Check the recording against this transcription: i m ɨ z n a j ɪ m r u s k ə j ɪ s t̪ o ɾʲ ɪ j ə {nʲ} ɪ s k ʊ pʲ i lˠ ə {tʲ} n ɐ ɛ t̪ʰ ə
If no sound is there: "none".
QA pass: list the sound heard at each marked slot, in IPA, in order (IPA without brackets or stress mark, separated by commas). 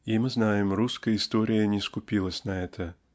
nʲ, sʲ